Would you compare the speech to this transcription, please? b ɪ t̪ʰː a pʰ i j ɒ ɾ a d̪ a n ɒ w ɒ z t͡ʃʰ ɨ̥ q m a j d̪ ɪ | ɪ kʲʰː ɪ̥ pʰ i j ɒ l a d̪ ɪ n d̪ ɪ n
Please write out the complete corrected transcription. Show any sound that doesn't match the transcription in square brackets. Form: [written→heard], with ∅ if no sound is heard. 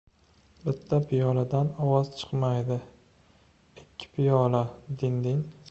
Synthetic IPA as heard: b ɪ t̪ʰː a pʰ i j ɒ [ɾ→l] a d̪ a n ɒ w ɒ z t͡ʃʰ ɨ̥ q m a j d̪ ɪ | ɪ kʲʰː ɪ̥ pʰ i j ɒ l a d̪ ɪ n d̪ ɪ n